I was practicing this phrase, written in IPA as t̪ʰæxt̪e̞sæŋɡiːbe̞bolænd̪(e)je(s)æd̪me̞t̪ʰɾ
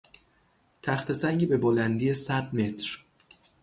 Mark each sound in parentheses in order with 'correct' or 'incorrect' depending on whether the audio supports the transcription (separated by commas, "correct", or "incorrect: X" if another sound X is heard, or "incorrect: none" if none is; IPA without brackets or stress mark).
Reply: incorrect: i, correct